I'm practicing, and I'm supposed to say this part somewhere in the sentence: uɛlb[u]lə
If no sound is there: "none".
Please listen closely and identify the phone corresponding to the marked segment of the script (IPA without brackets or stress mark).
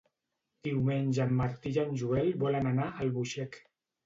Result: ɔ